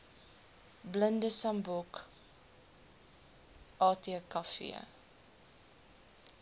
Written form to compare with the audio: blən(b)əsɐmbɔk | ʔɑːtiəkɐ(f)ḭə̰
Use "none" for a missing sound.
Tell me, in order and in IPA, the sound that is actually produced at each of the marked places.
d, f

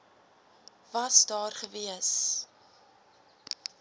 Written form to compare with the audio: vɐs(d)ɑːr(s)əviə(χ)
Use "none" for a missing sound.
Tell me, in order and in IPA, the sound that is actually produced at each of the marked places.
d, χ, s

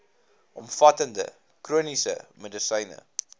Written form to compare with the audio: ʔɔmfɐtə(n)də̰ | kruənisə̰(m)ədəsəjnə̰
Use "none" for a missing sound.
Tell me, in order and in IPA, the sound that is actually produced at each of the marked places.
n, m

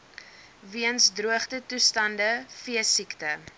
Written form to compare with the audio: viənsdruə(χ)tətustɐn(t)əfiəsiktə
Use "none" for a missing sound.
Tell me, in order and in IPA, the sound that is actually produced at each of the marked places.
χ, d

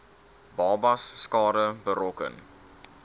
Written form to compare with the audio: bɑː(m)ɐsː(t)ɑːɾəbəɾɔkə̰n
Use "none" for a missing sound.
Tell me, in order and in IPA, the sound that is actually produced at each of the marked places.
b, k

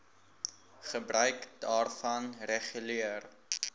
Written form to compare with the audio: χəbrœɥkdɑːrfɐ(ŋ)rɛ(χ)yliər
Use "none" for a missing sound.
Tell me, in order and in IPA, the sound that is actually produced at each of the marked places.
n, χ

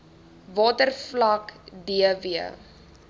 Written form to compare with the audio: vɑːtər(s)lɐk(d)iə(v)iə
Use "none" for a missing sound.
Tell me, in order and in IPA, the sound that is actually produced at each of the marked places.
f, d, v

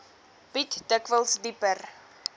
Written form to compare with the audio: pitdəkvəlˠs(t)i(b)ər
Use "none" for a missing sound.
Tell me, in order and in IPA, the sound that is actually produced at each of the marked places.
d, p

